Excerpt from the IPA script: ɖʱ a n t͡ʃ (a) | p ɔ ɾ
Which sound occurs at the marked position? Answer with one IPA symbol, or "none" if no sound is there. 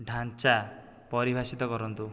a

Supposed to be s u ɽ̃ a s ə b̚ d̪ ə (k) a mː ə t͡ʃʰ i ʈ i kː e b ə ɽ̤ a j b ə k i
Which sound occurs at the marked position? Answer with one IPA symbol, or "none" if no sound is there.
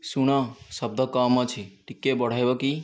k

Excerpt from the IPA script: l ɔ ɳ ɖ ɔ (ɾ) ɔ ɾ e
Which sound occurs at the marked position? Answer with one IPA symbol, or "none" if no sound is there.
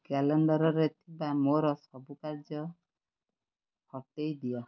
ɾ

